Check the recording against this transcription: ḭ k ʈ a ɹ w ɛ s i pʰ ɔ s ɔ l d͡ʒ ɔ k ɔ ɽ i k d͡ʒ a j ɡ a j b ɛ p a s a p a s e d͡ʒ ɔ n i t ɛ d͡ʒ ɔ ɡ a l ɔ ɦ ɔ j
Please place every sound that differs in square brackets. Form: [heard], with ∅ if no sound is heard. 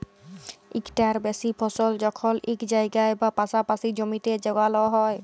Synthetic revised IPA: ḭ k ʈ a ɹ [b] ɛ s i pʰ ɔ s ɔ l d͡ʒ ɔ [kʰ] ɔ [l] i k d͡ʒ a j ɡ a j b [a] p a s a p a s [i] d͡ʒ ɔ [m] i t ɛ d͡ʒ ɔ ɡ a l ɔ ɦ ɔ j